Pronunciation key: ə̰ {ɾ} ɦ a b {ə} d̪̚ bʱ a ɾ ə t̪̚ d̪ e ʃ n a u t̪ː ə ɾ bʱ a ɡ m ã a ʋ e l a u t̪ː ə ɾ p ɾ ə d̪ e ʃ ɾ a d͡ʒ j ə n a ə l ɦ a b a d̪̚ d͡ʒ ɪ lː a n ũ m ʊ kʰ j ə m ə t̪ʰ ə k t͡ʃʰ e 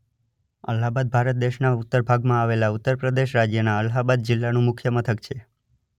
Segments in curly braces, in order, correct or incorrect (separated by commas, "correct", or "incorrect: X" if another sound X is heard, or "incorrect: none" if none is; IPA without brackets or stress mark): incorrect: l, incorrect: a